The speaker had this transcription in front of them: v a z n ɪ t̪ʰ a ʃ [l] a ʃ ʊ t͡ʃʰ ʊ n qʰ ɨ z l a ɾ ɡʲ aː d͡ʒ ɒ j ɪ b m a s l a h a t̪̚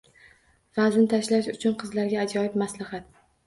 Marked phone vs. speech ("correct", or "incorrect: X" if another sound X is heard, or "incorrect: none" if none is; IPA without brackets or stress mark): correct